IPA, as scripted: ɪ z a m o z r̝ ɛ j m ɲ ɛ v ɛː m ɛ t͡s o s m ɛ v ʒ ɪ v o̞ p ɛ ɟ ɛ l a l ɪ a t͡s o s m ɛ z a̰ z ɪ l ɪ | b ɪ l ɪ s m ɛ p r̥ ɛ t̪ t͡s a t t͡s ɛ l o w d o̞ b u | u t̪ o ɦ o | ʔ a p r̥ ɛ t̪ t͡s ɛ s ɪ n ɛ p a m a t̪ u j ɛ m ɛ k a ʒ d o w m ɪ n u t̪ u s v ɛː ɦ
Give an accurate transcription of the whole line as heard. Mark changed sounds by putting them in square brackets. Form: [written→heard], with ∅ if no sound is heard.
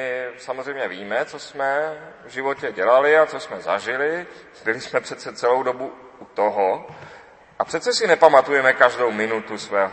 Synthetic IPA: ɪ [z→s] a m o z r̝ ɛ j m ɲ ɛ v [ɛː→iː] m ɛ t͡s o s m ɛ v ʒ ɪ v o̞ [p→c] ɛ ɟ ɛ l a l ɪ a t͡s o s m ɛ z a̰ [z→ʒ] ɪ l ɪ | b ɪ l ɪ s m ɛ p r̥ ɛ t̪ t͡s [a→ɛ] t t͡s ɛ l o w d o̞ b u | u t̪ o ɦ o | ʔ a p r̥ ɛ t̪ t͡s ɛ s ɪ n ɛ p a m a t̪ u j ɛ m ɛ k a ʒ d o w m ɪ n u t̪ u s v ɛː ɦ